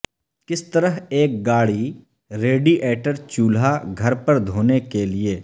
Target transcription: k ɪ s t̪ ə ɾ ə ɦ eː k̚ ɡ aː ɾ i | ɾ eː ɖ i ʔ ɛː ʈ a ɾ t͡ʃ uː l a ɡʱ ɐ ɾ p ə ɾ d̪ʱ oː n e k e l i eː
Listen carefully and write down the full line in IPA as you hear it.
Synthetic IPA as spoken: k ɪ s t̪ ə ɾ ə ɦ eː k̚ ɡ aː ɽ i | ɾ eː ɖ i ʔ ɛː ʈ ə ɾ t͡ʃ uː l a ɡʱ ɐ ɾ p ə ɾ d̪ʱ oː n e k e l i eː